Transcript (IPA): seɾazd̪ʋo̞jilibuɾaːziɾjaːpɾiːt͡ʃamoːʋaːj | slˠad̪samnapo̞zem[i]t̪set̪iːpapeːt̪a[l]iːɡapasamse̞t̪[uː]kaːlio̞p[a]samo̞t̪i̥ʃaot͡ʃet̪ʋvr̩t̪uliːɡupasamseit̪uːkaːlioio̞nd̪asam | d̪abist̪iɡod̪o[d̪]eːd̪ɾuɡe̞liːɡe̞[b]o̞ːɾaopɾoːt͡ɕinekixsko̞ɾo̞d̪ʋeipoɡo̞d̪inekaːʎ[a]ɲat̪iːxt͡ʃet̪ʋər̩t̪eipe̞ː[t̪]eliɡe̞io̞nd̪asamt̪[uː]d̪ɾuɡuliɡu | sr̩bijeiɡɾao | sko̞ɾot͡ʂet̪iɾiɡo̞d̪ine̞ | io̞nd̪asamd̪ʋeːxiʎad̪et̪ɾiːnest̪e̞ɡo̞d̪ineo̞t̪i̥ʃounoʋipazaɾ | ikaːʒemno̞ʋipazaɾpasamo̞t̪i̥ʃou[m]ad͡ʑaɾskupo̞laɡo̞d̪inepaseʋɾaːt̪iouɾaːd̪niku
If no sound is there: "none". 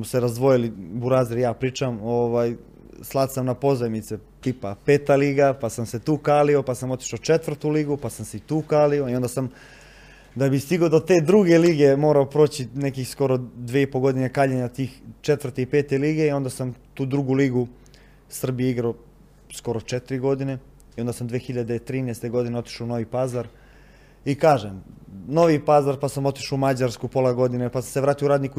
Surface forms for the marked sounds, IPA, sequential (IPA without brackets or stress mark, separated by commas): i, l, uː, a, t̪, m, e, t̪, uː, m